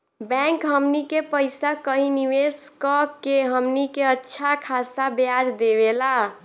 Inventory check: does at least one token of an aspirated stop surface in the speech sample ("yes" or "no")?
yes